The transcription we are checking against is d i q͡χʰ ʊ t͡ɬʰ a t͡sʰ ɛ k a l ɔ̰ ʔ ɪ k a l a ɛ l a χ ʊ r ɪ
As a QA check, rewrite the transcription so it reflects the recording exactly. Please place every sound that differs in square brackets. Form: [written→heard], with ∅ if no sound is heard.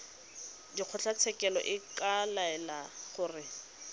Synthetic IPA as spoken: d i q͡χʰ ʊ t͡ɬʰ a t͡sʰ ɛ k [a→ɛ] l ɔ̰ ʔ ɪ k a l a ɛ l a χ ʊ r ɪ

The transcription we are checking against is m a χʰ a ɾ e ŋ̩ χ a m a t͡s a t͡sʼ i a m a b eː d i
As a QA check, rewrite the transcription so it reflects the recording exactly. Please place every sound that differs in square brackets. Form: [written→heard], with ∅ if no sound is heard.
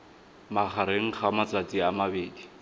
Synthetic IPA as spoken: m a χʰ a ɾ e ŋ̩ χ a m a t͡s a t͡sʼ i a m a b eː d i

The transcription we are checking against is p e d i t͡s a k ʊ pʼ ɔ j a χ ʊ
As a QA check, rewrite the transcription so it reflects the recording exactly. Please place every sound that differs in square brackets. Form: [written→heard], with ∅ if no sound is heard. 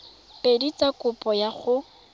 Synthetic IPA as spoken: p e d i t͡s a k ʊ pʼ ɔ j a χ ʊ

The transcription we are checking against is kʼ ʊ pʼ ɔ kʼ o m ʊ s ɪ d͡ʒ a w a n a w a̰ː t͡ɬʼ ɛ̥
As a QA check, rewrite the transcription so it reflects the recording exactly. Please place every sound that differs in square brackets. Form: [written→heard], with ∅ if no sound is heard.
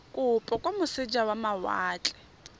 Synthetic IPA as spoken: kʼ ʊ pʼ ɔ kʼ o m ʊ s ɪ d͡ʒ a w a [n→m] a w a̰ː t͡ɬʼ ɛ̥

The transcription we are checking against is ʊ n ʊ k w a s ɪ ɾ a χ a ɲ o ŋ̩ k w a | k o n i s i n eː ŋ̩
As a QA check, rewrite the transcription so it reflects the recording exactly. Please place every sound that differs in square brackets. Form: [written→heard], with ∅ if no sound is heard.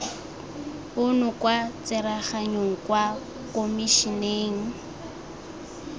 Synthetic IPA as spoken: ʊ n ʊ k w a [s→t͡s] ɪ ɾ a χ a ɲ o ŋ̩ k w a | k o [n→m] i [s→ʃ] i n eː ŋ̩

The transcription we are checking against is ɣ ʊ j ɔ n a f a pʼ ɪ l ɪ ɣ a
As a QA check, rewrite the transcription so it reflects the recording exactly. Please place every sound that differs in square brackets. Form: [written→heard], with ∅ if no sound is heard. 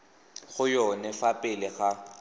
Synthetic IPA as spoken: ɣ ʊ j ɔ n [a→ɛ] f a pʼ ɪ l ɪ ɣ a

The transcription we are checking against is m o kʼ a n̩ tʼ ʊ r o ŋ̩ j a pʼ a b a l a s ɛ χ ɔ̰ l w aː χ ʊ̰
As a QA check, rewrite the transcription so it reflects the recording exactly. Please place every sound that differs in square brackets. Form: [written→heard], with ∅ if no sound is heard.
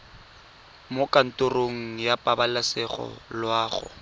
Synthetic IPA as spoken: m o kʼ a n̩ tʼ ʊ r o ŋ̩ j a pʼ a b a l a s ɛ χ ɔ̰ l w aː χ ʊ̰

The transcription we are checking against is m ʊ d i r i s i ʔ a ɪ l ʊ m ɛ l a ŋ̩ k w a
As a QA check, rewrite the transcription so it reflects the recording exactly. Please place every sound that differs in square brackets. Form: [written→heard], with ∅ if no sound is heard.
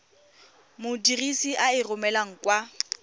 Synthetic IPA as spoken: m ʊ d i r i s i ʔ a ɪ [l→r] ʊ m ɛ l a ŋ̩ k w a

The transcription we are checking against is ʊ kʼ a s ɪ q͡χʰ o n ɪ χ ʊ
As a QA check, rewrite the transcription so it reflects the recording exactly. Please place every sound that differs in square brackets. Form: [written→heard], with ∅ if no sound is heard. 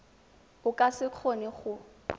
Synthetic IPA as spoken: ʊ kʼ a s ɪ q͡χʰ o n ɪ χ ʊ

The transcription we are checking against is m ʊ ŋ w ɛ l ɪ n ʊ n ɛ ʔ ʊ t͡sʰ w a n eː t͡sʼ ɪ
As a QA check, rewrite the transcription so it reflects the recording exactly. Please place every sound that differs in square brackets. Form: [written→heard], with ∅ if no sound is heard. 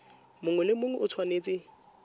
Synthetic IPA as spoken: m ʊ ŋ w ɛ l ɪ [n→m] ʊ [n→ŋ] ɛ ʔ ʊ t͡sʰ w a n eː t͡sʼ ɪ

